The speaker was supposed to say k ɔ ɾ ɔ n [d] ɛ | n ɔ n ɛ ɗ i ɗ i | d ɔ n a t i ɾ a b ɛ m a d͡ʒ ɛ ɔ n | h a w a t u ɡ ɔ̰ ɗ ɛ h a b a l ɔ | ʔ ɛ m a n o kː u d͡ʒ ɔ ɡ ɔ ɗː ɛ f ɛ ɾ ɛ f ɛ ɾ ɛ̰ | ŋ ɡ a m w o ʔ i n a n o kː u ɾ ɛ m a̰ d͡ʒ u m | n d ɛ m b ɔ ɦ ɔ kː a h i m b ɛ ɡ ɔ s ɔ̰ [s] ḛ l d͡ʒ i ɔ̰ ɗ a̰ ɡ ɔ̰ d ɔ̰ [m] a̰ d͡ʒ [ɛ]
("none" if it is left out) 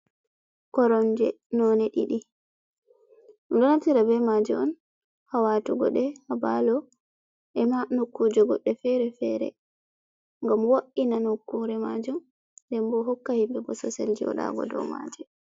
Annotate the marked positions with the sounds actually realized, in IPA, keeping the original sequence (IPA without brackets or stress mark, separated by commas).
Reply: d͡ʒ, s, m, ɛ